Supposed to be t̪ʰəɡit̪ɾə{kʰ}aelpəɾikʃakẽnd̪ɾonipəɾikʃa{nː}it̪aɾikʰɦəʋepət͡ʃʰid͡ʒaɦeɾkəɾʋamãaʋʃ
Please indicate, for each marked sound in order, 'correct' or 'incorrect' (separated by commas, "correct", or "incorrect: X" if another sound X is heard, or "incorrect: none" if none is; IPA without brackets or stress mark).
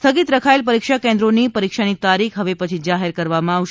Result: correct, incorrect: n